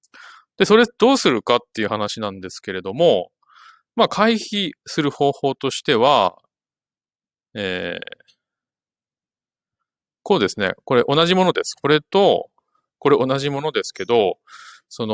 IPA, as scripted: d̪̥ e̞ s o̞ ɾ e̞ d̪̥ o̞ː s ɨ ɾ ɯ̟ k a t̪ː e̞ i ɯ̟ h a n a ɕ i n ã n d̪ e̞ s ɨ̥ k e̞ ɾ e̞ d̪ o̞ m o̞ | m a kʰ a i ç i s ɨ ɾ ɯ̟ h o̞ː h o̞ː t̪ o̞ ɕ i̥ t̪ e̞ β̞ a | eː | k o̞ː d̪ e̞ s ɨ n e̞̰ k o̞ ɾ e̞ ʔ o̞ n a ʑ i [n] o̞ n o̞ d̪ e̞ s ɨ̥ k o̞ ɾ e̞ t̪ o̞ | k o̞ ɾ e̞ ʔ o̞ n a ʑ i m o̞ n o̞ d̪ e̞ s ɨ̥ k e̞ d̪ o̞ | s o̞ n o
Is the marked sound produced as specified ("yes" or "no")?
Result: no